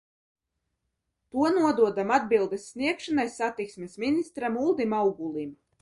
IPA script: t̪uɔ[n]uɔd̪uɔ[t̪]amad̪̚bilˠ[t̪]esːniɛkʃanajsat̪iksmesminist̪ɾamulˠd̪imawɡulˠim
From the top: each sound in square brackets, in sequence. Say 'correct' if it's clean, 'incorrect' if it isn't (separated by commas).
correct, incorrect, incorrect